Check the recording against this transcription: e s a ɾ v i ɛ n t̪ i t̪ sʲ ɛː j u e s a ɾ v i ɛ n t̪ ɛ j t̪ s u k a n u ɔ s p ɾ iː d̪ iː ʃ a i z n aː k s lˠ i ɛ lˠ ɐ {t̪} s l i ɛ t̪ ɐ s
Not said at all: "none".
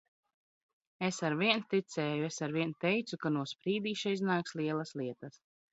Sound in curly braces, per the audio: none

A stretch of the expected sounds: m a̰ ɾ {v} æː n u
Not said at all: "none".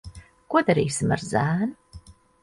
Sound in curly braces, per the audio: z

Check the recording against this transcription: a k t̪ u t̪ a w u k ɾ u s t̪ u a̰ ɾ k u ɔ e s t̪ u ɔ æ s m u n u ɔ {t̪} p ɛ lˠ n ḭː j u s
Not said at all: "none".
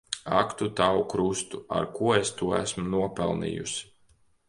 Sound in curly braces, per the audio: none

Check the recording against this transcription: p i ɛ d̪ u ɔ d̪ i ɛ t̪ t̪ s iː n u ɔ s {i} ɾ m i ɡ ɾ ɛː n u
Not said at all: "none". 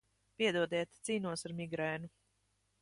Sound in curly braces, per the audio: a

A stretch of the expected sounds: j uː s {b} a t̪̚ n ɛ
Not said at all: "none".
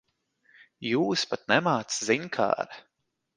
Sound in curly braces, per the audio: p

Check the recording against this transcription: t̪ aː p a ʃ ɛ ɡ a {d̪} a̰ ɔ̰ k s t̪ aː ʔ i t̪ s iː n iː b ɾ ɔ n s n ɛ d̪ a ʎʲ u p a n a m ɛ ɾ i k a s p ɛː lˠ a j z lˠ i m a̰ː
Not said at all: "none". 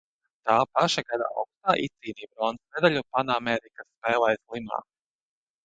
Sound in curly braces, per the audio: d̪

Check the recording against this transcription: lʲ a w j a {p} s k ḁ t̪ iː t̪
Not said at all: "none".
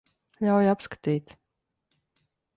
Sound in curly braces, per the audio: p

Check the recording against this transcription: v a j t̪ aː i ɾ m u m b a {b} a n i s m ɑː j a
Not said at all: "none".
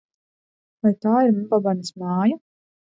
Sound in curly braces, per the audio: b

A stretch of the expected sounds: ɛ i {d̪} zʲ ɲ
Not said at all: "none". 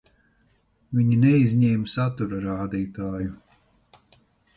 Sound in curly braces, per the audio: none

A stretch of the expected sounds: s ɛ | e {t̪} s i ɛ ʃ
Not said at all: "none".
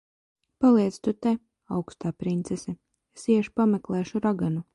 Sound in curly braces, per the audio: none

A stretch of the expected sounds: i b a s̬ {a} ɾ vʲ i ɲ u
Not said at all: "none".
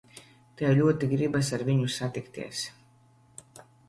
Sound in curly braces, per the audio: a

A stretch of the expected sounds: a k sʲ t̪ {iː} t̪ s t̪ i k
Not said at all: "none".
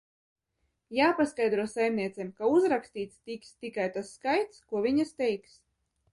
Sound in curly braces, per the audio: iː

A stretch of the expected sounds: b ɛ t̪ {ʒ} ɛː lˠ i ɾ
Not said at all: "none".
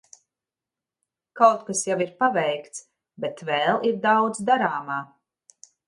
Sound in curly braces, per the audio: v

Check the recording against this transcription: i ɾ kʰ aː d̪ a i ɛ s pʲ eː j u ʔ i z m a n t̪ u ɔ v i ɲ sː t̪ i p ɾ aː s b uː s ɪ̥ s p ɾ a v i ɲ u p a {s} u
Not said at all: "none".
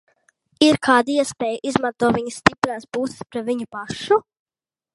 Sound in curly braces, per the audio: ʃ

